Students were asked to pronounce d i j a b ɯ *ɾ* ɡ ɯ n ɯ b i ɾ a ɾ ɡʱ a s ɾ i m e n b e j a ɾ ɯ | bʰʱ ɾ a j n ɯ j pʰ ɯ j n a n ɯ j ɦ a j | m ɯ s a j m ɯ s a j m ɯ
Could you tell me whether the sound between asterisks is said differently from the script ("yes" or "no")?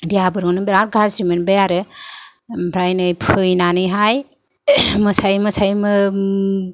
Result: no